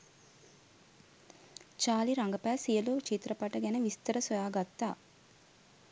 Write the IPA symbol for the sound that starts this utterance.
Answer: t͡ʃ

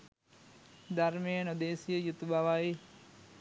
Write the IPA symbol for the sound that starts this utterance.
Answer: d̪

